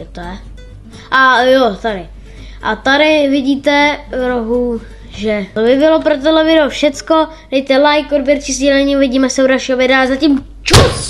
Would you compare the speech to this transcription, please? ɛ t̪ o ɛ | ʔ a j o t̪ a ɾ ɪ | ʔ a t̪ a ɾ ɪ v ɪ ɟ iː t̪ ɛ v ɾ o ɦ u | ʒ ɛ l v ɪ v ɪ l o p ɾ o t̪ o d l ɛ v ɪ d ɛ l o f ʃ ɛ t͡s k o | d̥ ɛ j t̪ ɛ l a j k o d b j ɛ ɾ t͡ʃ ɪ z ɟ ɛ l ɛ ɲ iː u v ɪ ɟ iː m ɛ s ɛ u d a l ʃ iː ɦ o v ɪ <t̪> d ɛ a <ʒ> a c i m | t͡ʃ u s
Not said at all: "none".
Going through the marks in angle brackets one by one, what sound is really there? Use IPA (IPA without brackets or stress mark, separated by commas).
none, z